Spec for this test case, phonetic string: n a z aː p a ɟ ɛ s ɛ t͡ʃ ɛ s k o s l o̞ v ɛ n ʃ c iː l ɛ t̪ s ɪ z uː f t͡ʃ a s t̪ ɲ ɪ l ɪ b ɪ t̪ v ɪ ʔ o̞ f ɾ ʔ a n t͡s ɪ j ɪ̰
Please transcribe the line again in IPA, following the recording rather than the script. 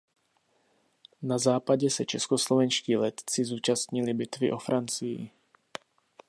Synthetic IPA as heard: n a z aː p a ɟ ɛ s ɛ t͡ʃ ɛ s k o s l o̞ v ɛ n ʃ c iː l ɛ t̪ t͡s ɪ z uː t͡ʃ a s t̪ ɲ ɪ l ɪ b ɪ t̪ v ɪ ʔ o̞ f ɾ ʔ a n t͡s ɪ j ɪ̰

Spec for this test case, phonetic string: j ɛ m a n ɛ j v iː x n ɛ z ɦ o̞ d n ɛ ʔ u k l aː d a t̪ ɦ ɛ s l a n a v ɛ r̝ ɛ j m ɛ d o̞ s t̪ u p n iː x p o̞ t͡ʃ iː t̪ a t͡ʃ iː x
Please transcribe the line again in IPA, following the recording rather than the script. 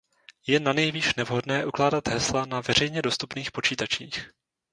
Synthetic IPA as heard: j ɛ n a n ɛ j v iː ʃ n ɛ v ɦ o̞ d n ɛː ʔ u k l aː d a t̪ ɦ ɛ s l a n a v ɛ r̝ ɛ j ɲ ɛ d o̞ s t̪ u p n iː x p o̞ t͡ʃ iː t̪ a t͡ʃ iː x

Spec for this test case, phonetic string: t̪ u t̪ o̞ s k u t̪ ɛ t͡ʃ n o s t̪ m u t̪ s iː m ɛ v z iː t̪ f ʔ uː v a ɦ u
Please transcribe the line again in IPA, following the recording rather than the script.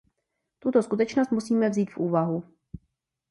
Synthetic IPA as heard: t̪ u t̪ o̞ s k u t̪ ɛ t͡ʃ n o s t̪ m u s iː m ɛ v z iː t̪ f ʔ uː v a ɦ u

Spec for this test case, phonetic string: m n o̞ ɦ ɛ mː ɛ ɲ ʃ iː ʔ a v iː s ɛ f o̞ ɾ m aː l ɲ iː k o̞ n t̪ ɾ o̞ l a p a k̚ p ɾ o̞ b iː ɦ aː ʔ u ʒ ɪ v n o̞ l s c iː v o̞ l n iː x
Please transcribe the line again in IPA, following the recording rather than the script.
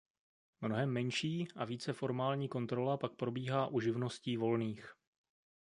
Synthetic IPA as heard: m n o̞ ɦ ɛ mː ɛ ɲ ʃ iː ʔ a v iː t͡s ɛ f o̞ ɾ m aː l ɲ iː k o̞ n t̪ ɾ o̞ l a p a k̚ p ɾ o̞ b iː ɦ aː ʔ u ʒ ɪ v n o̞ s c iː v o̞ l n iː x

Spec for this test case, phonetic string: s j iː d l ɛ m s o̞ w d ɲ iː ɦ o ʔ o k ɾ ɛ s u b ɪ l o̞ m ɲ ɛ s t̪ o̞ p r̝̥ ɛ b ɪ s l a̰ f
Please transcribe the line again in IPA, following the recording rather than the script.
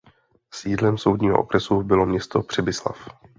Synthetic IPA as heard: s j iː d l ɛ m s o̞ w d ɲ iː ɦ o ʔ o k ɾ ɛ s u b ɪ l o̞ m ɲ ɛ s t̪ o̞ p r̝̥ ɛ b ɪ s l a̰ f

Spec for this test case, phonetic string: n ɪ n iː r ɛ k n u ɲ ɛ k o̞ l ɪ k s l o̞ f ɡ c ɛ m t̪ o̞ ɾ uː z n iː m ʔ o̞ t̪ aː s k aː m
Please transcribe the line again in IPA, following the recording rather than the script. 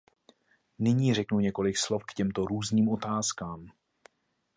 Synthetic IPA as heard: n ɪ ɲ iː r ɛ k n u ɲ ɛ k o̞ l ɪ k s l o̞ f k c ɛ m t̪ o̞ ɾ uː z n iː m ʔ o̞ t̪ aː s k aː m

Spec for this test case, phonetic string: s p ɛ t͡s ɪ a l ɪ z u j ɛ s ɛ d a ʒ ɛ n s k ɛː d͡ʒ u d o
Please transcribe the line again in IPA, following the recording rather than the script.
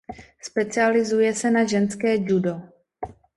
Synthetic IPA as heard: s p ɛ t͡s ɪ a l ɪ z u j ɛ s ɛ n a ʒ ɛ n s k ɛː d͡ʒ u d o

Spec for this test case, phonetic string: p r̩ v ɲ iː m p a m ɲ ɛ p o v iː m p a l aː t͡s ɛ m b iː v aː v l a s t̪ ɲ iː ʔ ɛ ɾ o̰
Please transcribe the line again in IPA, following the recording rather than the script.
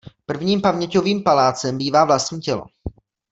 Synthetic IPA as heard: p r̩ v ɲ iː m p a m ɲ ɛ c o v iː m p a l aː t͡s ɛ m b iː v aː v l a s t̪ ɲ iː c ɛ l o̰

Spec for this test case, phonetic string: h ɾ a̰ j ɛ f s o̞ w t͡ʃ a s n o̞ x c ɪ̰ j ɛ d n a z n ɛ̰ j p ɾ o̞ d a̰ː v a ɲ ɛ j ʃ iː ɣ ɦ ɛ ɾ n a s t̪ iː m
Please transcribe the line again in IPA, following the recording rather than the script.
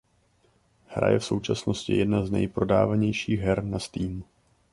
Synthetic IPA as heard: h ɾ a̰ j ɛ f s o̞ w t͡ʃ a s n o̞ s c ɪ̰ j ɛ d n a z n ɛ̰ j p ɾ o̞ d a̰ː v a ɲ ɛ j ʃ iː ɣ ɦ ɛ ɾ n a s t̪ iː m

